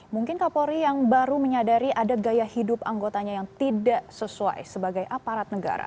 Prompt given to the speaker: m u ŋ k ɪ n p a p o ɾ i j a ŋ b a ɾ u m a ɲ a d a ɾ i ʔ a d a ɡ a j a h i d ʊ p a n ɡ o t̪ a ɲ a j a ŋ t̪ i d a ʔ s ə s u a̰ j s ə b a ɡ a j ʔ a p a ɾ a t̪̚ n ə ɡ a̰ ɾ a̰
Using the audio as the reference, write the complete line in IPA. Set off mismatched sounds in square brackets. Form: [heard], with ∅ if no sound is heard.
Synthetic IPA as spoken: m u ŋ k ɪ n [k] a p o ɾ i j a ŋ b a ɾ u m [ə] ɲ a d a ɾ i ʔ a d a ɡ a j a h i d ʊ p a [ŋ] ɡ o t̪ a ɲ a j a ŋ t̪ i d a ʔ s ə s u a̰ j s ə b a ɡ a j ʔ a p a ɾ a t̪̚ n ə ɡ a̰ ɾ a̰